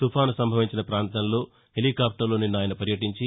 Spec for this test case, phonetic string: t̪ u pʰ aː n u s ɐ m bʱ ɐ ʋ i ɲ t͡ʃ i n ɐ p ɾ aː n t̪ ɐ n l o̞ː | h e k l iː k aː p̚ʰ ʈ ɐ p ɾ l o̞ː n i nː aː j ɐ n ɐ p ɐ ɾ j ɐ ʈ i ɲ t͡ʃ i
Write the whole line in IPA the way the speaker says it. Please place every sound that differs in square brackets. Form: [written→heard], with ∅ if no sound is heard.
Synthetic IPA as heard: t̪ u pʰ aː n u s ɐ m bʱ ɐ ʋ i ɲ t͡ʃ i n ɐ p ɾ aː n t̪ ɐ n l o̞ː | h e [k→∅] l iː k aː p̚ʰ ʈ ɐ [p→∅] ɾ l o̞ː n i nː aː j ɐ n ɐ p ɐ ɾ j ɐ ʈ i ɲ t͡ʃ i